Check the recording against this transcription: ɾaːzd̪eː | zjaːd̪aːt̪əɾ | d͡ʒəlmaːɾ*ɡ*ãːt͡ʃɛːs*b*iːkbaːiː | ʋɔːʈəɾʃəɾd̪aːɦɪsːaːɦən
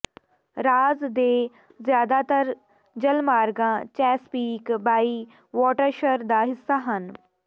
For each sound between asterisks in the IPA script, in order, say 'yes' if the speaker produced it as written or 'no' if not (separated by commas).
yes, no